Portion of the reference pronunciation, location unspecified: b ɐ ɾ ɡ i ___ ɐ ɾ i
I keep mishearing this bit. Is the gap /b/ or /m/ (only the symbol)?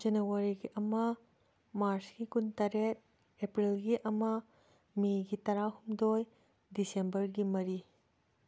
m